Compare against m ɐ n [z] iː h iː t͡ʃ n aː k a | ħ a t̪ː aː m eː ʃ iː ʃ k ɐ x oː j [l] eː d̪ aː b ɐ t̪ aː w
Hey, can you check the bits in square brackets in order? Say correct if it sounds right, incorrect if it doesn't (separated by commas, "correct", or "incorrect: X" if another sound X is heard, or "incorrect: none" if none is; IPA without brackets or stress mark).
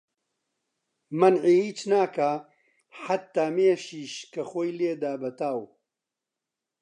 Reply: incorrect: ʕ, correct